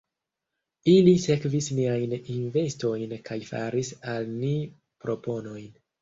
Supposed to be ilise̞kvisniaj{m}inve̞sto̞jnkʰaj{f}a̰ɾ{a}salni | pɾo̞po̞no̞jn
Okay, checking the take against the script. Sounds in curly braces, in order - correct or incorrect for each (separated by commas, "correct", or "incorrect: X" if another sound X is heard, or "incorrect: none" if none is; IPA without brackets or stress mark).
incorrect: n, correct, incorrect: i